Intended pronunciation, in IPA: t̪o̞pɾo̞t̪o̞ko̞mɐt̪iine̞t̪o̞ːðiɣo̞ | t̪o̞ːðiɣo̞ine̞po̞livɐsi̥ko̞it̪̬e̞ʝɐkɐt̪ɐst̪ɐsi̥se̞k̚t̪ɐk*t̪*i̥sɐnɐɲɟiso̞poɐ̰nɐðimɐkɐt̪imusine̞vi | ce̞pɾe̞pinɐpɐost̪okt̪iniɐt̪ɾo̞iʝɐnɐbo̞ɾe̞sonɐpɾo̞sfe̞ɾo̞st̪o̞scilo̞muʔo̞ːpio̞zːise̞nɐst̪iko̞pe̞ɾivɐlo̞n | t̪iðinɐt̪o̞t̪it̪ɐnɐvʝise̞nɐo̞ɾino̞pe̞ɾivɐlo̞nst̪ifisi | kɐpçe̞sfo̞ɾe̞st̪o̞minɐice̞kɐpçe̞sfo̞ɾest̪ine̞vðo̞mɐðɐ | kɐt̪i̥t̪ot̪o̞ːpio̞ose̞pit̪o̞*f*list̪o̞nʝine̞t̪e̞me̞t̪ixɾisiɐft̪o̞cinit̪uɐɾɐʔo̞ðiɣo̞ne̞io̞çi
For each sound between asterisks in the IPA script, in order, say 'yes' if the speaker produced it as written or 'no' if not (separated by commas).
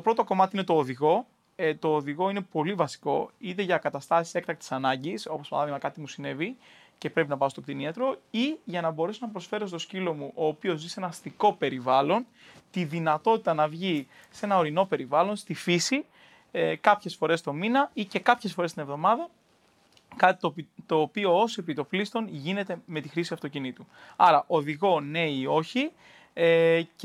yes, yes